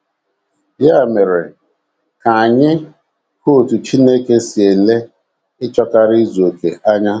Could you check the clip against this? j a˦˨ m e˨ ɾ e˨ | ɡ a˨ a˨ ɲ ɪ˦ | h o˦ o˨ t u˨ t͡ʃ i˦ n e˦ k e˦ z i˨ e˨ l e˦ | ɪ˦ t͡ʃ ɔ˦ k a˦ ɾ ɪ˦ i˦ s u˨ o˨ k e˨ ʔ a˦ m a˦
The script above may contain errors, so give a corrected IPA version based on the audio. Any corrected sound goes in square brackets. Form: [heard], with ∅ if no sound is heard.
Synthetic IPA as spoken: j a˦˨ m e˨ ɾ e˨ | [k] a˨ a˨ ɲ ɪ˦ | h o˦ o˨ t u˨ t͡ʃ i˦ n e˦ k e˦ [s] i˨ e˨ l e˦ | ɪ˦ t͡ʃ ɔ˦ k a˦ ɾ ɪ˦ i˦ [z] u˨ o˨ k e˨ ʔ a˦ [ɲ] a˦